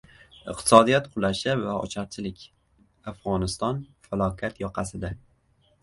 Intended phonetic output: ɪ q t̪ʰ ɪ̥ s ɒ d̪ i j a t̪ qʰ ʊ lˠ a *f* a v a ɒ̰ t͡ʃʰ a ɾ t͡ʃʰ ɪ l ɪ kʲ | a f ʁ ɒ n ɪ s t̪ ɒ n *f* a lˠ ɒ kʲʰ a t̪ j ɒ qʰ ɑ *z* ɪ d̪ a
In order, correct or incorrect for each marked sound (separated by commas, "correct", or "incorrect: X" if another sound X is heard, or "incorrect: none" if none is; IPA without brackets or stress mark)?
incorrect: ʃ, correct, incorrect: s